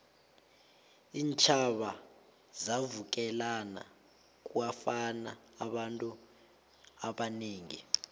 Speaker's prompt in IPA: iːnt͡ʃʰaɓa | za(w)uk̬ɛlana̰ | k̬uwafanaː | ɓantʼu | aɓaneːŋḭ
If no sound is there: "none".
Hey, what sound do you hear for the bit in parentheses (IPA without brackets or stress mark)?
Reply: v